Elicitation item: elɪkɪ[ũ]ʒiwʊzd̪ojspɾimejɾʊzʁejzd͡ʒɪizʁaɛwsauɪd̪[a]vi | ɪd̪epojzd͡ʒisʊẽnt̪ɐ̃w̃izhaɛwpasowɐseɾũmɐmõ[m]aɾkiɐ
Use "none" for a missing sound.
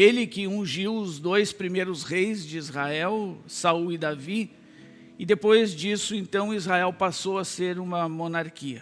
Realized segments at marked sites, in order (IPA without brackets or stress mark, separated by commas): ũ, a, n